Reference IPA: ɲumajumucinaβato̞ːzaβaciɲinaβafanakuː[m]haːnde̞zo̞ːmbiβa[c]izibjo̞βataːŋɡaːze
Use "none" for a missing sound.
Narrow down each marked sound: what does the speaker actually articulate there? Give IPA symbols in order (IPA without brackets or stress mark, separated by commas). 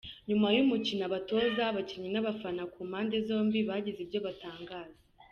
m, ɟ